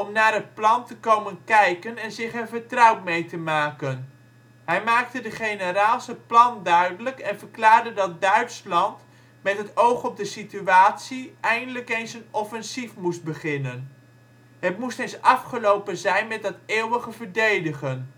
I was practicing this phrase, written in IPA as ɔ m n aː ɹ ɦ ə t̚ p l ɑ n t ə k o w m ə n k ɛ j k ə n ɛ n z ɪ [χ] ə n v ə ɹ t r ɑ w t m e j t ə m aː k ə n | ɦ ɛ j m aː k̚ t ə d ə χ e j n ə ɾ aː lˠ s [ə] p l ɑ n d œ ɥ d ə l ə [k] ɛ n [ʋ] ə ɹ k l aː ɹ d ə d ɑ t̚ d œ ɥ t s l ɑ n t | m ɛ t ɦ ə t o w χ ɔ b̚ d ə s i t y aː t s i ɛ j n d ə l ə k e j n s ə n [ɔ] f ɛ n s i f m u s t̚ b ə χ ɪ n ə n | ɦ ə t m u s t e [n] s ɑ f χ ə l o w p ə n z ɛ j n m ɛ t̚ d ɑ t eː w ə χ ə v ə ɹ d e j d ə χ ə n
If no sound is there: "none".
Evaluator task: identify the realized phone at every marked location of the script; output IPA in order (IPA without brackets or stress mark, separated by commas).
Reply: χ, ə, k, v, ɔ, n